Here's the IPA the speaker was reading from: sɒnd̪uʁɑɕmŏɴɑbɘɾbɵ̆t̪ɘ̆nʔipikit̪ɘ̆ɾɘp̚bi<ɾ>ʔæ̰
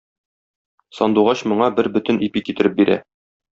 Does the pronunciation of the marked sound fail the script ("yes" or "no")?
no